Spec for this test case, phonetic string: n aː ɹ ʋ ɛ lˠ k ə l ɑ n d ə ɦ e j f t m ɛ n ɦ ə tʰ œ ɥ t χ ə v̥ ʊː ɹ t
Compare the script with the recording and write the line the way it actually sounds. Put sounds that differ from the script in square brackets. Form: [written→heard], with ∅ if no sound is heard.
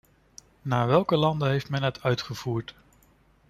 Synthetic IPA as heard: n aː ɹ ʋ ɛ lˠ k ə l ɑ n d ə ɦ e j f t m ɛ n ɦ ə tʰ œ ɥ t χ ə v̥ [ʊː→uː] ɹ t